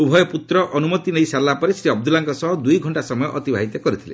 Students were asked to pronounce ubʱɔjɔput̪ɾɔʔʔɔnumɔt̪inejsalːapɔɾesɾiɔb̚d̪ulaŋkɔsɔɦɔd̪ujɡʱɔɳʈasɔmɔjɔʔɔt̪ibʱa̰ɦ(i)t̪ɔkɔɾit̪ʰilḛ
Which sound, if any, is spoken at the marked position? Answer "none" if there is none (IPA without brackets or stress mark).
i